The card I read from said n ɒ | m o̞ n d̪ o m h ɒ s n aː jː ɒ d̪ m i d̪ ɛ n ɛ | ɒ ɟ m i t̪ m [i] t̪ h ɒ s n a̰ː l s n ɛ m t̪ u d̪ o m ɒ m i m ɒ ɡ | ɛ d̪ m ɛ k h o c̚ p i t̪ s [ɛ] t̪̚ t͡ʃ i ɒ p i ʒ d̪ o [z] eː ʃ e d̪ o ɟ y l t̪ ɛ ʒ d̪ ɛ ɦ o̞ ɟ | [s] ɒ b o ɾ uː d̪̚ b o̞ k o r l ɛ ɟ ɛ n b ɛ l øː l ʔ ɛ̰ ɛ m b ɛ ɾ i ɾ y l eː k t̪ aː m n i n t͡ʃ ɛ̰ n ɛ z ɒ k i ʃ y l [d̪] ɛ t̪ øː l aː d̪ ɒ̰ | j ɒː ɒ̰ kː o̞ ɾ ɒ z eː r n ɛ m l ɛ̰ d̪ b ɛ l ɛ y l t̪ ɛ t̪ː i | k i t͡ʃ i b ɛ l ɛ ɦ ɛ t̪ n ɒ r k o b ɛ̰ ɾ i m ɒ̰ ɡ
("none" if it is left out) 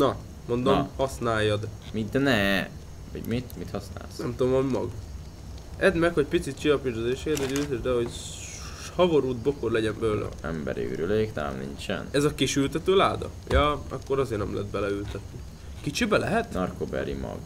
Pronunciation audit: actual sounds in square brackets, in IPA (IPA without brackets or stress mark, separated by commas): i, i, z, h, t̪